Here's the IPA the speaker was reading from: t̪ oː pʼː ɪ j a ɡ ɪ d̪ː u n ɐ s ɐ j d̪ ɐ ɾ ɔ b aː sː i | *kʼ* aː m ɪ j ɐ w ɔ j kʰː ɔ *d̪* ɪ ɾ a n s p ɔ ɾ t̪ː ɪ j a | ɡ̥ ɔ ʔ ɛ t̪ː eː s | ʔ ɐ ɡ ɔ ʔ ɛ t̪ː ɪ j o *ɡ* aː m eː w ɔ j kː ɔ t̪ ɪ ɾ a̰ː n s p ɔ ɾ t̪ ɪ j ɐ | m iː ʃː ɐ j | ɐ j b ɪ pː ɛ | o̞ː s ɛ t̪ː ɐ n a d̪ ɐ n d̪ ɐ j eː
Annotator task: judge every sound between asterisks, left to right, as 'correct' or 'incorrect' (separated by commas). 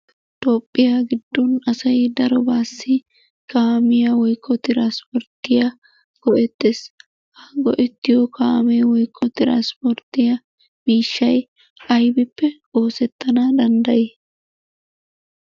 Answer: incorrect, incorrect, incorrect